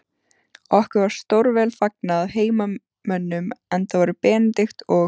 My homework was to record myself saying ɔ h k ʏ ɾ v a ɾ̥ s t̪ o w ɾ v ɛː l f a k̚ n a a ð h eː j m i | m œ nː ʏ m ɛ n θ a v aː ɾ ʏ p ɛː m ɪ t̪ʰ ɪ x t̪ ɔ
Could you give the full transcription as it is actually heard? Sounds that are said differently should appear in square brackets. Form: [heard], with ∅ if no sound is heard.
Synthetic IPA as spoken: ɔ h k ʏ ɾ v a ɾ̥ s t̪ o w ɾ v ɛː l f a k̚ n a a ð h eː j m [a] | m œ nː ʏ m ɛ n θ a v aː ɾ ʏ p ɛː [n] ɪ [t̪] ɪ x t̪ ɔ